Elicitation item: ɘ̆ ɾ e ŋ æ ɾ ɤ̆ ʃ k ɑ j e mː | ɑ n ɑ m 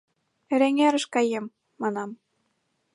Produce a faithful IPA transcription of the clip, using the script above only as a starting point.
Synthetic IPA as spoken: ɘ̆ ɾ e ŋ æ ɾ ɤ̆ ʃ k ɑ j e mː | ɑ n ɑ m